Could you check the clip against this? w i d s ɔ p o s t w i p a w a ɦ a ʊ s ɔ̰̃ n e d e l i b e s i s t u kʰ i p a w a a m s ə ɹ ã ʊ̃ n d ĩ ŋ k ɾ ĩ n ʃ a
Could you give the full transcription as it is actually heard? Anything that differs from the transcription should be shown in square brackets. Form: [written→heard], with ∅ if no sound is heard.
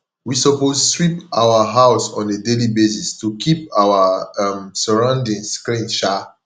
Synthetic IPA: w i [d→∅] s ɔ p o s [t→s] w i p a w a ɦ a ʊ s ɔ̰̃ n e d e l i b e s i s t u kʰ i p a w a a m s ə ɹ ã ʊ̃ n d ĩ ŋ k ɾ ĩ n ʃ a